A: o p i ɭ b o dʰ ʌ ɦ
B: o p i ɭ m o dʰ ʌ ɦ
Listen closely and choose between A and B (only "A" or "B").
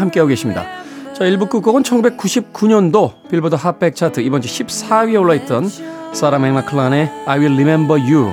A